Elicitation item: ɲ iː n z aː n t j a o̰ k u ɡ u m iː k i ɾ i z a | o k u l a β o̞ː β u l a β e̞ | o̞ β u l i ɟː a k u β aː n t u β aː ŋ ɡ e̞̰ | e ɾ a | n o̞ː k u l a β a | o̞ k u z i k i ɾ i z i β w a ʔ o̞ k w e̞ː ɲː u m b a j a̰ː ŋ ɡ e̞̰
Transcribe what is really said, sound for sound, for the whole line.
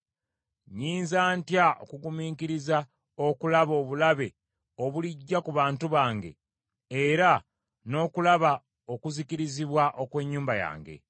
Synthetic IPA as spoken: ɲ iː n z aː n t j a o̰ k u ɡ u m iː k i ɾ i z a | o k u l a β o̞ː β u l a β e̞ | o̞ β u l i ɟː a k u β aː n t u β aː ŋ ɡ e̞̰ | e ɾ a | n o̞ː k u l a β a | o̞ k u z i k i ɾ i z i β w a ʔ o̞ k w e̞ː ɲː uː m b a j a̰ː ŋ ɡ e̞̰

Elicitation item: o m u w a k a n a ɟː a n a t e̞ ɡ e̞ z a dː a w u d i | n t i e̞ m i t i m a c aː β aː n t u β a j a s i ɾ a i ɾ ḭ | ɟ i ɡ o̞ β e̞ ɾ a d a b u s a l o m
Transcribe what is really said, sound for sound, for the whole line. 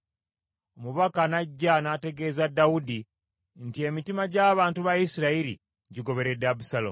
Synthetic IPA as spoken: o m u β a k a n a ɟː a n a t e̞ ɡ e̞ z a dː a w u d i | n t i e̞ m i t i m a ɟ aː β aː n t u β a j i s i ɾ a i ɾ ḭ | ɟ i ɡ o̞ β e̞ ɾ e d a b u s a l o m

